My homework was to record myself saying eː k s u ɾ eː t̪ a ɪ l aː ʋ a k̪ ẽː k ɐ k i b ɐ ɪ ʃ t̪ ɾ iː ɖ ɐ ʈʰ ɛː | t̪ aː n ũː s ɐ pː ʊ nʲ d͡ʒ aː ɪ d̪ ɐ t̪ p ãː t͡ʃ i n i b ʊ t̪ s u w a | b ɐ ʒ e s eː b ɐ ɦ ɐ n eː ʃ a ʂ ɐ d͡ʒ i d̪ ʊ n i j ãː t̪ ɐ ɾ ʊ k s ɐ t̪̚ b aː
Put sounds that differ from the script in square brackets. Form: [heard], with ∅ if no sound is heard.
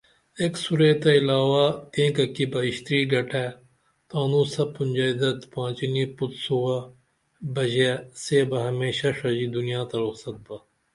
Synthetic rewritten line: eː k s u ɾ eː t̪ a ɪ l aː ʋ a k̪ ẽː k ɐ k i b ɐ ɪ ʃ t̪ ɾ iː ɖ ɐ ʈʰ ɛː | t̪ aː n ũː s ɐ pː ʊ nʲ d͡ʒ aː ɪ d̪ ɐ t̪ p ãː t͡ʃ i n i [p] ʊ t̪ s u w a | b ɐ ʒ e s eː b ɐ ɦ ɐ [m] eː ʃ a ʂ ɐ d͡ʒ i d̪ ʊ n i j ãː t̪ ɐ ɾ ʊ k s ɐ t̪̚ b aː